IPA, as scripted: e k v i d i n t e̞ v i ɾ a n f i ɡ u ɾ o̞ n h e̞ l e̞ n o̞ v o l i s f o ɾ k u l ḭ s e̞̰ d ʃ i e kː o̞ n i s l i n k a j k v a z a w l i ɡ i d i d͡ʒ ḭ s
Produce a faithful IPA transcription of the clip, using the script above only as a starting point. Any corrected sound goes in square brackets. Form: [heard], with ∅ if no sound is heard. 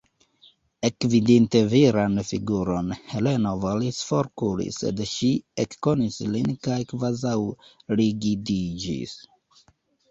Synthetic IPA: e k v i d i n t e̞ v i ɾ a n f i ɡ u ɾ o̞ n h e̞ l e̞ n o̞ v o l i s f o ɾ k u l ḭ s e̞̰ d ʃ i e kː o̞ n i s l i n k a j k v a z a w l i ɡ i d i d͡ʒ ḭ s